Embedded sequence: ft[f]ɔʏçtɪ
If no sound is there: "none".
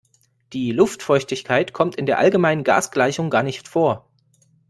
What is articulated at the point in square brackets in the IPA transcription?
f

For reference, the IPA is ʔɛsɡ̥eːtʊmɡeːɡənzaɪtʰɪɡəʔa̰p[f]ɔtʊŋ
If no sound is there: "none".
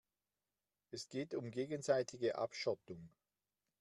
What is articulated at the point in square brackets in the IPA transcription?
ʃ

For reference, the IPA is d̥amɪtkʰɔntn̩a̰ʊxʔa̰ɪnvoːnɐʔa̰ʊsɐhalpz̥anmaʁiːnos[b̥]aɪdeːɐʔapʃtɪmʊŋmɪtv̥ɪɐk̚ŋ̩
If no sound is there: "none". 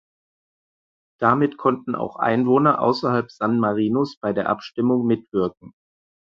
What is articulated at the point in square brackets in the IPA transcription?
b̥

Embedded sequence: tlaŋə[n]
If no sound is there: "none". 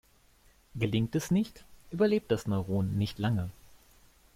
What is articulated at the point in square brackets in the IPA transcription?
none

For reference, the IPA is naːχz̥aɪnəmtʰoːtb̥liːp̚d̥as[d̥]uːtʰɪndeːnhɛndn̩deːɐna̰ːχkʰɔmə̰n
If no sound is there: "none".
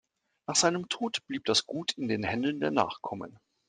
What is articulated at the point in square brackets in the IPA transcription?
ɡ̥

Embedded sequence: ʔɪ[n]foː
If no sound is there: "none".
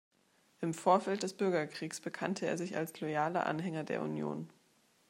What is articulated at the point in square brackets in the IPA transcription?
m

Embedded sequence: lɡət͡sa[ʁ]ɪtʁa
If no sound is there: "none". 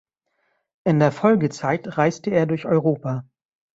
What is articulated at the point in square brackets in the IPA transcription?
none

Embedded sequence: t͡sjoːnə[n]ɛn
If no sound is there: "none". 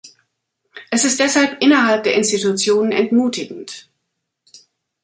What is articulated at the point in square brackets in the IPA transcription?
n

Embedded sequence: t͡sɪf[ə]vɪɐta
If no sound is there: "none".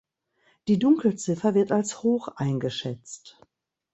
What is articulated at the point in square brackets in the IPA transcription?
ɐ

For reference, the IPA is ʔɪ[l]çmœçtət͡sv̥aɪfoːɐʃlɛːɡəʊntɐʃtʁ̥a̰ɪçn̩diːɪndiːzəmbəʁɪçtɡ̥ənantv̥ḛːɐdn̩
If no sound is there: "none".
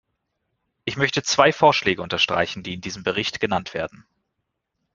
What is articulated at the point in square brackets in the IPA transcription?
none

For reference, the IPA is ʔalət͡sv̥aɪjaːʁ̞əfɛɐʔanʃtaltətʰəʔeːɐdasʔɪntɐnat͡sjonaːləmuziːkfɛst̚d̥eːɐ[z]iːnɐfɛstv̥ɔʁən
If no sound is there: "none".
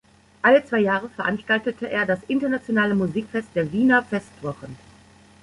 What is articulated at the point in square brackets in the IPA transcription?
v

